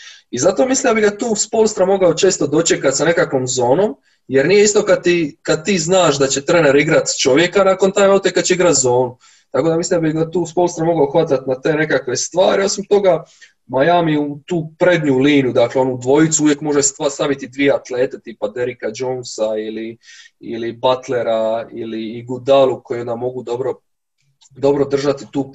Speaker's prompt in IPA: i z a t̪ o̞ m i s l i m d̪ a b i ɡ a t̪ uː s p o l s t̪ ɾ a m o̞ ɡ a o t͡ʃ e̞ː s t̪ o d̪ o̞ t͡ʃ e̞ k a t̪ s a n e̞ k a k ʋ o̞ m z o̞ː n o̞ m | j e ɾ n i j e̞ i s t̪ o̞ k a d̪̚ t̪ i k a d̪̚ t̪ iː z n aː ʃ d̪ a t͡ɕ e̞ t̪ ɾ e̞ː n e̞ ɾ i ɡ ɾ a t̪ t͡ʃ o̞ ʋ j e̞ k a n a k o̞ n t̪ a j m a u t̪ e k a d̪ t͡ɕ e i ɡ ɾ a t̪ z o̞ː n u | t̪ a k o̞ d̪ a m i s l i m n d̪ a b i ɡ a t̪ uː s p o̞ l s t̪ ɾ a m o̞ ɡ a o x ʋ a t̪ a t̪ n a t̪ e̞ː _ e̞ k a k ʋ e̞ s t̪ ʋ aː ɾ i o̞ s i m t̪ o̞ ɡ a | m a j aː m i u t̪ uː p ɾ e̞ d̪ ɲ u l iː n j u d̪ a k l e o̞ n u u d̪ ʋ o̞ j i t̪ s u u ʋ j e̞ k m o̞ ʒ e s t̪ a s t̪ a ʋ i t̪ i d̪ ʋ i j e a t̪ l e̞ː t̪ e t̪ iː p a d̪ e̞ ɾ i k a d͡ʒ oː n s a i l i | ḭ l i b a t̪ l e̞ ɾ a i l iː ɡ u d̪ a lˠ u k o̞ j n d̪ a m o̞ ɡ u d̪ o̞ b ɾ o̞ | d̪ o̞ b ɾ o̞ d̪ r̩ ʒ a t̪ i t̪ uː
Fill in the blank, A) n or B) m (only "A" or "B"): A